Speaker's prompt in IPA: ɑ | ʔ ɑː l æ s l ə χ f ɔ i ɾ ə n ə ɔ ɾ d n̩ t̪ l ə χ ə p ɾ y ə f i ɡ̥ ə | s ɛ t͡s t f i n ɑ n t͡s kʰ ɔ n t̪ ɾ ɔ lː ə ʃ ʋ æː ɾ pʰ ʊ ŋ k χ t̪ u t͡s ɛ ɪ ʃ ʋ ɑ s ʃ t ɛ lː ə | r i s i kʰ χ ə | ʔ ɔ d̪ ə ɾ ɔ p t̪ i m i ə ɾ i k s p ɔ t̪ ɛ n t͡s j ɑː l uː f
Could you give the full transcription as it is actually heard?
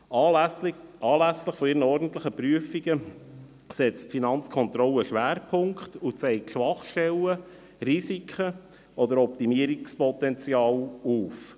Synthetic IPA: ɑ | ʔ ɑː l æ s l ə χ f ɔ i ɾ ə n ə ɔ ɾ d n̩ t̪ l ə χ ə p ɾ y ə f i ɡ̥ ə | s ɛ t͡s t f i n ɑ n t͡s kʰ ɔ n t̪ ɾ ɔ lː ə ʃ ʋ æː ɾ pʰ ʊ ŋ k χ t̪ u t͡s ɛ ɪ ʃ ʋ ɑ χ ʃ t ɛ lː ə | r i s i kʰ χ ə | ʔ ɔ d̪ ə ɾ ɔ p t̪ i m i ə ɾ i k s p ɔ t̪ ɛ n t͡s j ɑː l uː f